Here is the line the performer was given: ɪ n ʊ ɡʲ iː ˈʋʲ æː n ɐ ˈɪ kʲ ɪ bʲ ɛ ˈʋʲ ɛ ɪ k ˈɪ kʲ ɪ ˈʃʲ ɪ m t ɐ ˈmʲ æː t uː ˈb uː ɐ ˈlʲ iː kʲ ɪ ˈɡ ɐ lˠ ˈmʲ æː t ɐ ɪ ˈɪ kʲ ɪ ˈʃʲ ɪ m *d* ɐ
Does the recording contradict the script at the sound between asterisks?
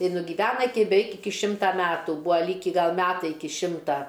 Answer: yes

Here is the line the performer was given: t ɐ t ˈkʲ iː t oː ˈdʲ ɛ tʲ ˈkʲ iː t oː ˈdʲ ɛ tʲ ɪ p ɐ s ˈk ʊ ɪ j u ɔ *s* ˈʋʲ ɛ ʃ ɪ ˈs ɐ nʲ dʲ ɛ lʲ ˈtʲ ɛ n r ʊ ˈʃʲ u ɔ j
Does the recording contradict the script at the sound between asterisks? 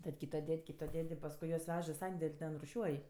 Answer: no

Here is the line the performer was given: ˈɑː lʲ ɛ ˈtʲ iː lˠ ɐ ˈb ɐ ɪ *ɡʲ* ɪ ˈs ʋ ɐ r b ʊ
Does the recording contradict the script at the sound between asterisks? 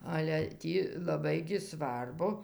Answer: no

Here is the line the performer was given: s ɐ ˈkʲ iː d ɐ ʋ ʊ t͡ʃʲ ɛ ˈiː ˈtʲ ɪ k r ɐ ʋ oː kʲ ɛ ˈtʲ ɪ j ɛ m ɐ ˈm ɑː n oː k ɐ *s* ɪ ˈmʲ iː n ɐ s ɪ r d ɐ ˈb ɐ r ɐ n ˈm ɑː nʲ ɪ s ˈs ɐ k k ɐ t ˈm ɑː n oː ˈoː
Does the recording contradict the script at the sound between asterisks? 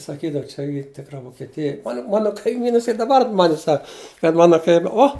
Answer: yes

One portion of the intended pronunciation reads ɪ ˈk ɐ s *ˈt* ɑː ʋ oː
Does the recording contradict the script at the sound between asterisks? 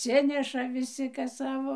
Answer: yes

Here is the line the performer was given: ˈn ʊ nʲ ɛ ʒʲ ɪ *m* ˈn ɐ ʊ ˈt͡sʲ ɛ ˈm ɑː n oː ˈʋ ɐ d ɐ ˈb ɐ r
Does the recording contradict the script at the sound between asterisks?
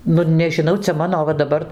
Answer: yes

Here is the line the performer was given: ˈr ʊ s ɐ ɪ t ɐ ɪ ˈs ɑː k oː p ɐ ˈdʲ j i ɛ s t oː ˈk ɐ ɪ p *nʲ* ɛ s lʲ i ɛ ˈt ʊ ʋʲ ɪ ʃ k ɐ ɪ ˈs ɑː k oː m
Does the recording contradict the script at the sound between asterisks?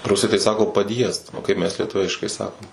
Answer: yes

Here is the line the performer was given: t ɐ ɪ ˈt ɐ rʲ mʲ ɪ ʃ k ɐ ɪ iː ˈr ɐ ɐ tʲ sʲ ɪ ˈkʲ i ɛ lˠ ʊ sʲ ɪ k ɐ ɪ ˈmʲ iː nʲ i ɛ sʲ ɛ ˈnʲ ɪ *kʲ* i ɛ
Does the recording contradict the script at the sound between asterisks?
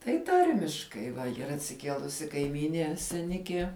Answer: no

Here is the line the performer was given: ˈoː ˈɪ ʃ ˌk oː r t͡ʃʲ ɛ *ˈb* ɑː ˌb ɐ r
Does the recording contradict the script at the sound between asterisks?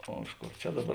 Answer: yes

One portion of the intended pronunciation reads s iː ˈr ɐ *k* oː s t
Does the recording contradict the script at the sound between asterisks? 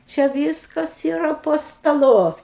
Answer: yes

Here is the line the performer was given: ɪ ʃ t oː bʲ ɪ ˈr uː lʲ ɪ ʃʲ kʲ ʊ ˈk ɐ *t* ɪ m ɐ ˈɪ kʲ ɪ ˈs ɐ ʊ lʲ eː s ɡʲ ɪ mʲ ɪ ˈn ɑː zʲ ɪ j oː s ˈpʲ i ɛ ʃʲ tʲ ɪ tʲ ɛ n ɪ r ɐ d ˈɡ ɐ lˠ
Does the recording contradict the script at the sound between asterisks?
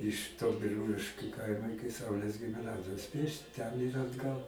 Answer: yes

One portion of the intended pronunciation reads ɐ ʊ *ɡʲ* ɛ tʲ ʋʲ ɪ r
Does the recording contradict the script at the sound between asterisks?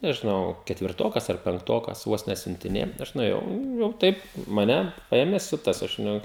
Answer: yes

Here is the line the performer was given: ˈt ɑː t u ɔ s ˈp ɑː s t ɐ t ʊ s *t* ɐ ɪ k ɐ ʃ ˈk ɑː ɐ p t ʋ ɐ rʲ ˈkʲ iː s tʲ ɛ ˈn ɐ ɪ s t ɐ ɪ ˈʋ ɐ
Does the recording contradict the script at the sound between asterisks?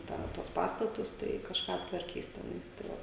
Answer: no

